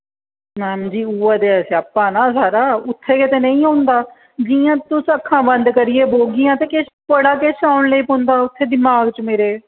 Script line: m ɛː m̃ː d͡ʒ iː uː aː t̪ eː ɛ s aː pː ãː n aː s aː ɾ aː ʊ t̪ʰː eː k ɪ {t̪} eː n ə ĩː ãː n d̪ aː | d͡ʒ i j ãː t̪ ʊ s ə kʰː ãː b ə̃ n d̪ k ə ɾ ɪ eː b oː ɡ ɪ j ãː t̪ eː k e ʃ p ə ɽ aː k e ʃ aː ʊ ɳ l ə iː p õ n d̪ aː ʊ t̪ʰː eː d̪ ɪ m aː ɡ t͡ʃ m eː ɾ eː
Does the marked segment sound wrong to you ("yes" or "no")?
no